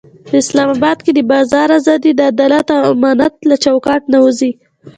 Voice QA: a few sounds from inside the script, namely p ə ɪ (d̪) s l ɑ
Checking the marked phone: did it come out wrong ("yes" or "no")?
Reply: yes